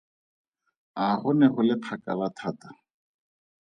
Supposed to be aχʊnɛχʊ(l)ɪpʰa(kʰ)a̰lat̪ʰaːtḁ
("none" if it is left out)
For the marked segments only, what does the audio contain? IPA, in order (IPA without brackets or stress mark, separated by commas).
l, k